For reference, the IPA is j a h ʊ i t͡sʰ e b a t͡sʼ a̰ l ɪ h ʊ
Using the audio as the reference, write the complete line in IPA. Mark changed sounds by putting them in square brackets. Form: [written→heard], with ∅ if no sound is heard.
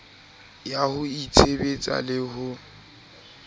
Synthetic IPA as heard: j a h ʊ i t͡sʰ e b [a→e] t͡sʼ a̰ l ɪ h ʊ

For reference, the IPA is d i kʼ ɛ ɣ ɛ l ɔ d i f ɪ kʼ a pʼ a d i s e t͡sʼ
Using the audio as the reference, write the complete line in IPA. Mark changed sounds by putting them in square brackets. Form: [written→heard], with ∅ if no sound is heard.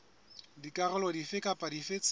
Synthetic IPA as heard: d i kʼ [ɛ→a] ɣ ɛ l ɔ d i f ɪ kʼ a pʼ a d i [s→f] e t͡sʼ

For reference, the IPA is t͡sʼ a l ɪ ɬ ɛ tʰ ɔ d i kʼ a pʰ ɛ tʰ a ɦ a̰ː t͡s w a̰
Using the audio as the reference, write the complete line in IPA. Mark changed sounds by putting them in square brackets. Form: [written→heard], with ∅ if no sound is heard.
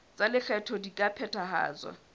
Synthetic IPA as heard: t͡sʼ a l ɪ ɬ ɛ tʰ ɔ d i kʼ a pʰ ɛ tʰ a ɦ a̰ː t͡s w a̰

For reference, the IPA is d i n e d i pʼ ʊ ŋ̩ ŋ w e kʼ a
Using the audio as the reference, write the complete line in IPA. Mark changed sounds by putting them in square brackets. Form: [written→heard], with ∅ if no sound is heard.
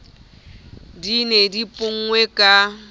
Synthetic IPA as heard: d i n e d i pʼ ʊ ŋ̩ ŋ w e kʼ a

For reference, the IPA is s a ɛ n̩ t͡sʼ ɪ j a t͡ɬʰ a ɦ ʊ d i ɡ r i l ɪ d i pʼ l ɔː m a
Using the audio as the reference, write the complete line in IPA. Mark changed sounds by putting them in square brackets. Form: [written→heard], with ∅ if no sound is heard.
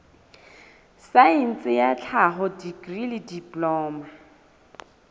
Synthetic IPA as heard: s a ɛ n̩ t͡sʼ ɪ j a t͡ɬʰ a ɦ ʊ d i ɡ r i l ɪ d i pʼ l ɔː m a

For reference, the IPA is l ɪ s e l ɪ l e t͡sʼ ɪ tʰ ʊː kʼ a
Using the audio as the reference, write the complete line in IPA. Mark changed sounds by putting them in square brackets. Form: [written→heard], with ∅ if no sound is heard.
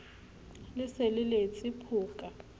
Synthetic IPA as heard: l ɪ s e l ɪ l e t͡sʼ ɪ [tʰ→pʰ] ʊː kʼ a

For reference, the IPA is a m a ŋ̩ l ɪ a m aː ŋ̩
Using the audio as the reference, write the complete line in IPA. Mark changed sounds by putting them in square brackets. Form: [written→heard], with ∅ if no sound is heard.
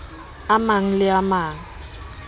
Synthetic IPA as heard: a m a ŋ̩ l ɪ a m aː ŋ̩

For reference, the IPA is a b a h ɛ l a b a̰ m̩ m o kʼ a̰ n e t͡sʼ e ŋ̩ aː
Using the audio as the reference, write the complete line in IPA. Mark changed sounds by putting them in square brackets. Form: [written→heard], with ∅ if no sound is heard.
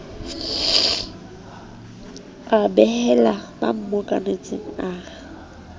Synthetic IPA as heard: a b [a→ɛ] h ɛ l a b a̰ m̩ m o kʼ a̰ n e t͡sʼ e ŋ̩ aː

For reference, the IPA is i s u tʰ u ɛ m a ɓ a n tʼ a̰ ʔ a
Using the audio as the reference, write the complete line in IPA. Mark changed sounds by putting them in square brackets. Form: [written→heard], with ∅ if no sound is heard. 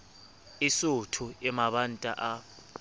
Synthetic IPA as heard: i s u tʰ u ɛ m a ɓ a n tʼ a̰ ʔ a

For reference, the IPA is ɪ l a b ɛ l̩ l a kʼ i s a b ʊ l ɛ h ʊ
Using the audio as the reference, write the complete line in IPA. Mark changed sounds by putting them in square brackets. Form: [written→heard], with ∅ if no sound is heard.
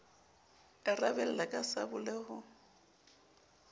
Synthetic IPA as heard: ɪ [l→r] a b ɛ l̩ l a kʼ [i→a] s a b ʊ l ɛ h ʊ

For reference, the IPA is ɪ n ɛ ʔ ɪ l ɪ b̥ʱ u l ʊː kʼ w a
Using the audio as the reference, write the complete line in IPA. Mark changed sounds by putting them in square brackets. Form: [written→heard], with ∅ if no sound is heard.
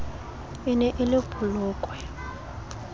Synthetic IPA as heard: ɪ n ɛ ʔ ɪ l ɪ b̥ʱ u l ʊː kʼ w [a→ɛ]

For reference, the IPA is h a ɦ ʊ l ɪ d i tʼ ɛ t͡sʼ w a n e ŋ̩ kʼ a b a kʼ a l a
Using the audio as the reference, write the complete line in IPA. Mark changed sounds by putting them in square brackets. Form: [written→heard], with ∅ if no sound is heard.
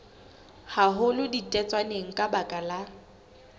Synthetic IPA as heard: h a ɦ ʊ l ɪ d i tʼ ɛ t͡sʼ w a n e ŋ̩ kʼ a b a kʼ a l a

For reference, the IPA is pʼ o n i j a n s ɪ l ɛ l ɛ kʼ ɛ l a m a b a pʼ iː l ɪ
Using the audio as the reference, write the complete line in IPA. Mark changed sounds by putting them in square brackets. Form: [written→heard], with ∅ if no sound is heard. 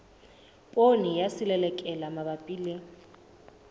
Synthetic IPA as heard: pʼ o n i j a [n→∅] s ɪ l ɛ l ɛ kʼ ɛ l a m a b a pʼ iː l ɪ

